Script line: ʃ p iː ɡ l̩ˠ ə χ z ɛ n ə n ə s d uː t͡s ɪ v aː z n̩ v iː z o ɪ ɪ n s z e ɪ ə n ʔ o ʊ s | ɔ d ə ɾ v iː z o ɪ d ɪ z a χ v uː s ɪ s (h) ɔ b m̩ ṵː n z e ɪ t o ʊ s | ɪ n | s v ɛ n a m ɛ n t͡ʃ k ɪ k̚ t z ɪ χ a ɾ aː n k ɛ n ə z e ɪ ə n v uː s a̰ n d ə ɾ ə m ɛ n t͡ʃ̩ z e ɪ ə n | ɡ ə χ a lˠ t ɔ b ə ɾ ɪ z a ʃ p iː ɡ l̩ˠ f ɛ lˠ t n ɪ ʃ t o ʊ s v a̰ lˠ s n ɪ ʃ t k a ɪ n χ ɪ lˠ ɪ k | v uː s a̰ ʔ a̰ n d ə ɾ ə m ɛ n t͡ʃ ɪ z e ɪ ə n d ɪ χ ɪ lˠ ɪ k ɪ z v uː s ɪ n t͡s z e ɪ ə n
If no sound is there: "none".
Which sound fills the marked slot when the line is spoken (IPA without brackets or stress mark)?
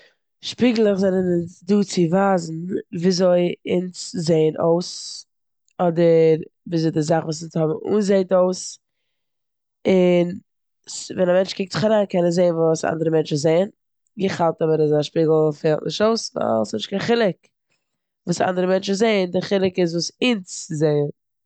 h